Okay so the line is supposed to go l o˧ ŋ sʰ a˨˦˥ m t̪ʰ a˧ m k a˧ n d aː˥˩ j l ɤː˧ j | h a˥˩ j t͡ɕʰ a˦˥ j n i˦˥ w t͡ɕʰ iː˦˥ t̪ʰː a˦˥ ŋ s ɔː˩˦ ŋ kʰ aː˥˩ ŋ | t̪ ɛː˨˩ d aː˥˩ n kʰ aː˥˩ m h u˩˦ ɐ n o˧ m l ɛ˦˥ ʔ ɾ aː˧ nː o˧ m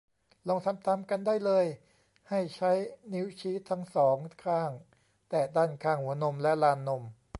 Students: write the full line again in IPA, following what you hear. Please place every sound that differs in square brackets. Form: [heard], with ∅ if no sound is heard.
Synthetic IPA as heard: l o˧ ŋ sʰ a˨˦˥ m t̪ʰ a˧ m k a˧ n d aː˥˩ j l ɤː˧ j | h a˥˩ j t͡ɕʰ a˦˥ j n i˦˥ w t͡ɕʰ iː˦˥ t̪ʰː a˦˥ ŋ s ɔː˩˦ ŋ kʰ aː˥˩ ŋ | t̪ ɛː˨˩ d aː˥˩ n kʰ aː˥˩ [ŋ] h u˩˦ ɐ n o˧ m l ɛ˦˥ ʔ [l] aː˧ nː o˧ m